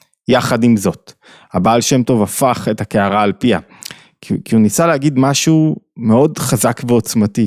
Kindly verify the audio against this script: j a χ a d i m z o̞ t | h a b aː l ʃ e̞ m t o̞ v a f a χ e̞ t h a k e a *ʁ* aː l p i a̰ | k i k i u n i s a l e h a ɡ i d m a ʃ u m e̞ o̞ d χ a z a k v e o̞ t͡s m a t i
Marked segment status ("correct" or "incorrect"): correct